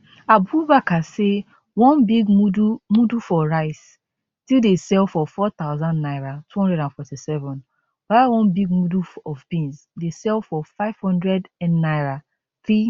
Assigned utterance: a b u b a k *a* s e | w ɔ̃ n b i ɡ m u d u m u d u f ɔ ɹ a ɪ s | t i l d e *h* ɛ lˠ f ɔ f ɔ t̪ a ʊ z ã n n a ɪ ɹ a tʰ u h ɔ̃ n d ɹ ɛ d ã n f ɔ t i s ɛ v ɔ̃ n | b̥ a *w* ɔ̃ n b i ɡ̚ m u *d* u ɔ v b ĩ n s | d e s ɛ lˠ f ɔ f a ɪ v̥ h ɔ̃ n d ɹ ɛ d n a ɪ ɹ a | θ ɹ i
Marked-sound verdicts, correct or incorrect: correct, incorrect, correct, correct

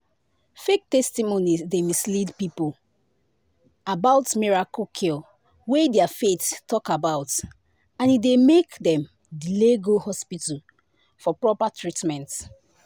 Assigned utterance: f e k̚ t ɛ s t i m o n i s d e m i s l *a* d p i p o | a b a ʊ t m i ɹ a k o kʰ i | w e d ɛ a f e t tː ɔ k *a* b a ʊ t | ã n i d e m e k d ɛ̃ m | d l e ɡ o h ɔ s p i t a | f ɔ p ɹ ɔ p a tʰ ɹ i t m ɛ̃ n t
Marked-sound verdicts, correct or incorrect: incorrect, correct

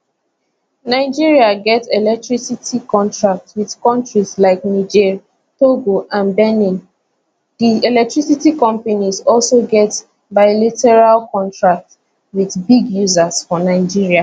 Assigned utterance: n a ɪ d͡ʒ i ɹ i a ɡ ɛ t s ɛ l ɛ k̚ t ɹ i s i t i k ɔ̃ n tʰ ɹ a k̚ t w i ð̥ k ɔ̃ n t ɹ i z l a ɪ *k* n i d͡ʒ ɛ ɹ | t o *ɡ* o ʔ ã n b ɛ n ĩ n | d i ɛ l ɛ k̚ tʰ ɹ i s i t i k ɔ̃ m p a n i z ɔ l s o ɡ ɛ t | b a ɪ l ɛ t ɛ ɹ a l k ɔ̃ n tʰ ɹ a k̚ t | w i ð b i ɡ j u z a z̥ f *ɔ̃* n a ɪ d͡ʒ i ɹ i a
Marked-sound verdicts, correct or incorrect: correct, correct, incorrect

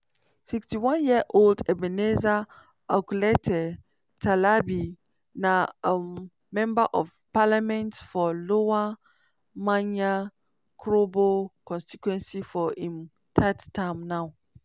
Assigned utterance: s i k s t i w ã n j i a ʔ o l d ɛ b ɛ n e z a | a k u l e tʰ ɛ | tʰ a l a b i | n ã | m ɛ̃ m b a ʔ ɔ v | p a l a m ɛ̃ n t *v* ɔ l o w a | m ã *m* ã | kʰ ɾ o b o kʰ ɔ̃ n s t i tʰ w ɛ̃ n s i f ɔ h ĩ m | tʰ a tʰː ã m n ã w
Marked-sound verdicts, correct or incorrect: incorrect, incorrect

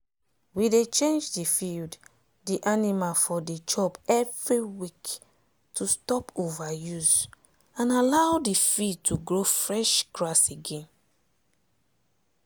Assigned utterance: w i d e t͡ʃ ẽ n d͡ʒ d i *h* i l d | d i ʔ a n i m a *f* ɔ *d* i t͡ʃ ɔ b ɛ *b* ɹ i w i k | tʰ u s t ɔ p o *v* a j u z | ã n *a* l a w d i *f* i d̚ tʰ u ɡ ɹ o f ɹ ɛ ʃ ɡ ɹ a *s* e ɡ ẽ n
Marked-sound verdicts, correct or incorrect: incorrect, correct, correct, incorrect, correct, correct, correct, correct

